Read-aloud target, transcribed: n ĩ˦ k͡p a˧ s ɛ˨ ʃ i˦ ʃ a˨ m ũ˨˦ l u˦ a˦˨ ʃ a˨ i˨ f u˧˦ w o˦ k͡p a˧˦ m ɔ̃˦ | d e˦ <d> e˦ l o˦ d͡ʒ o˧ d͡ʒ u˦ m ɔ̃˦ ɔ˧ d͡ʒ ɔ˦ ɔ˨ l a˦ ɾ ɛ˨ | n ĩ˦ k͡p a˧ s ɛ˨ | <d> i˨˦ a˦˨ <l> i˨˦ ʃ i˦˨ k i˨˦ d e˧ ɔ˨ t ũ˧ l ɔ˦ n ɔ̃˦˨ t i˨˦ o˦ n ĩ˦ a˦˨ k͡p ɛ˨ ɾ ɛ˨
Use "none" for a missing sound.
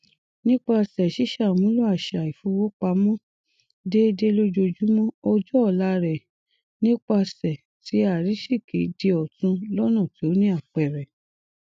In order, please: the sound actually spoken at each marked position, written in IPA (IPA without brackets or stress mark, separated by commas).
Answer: d, t, ɾ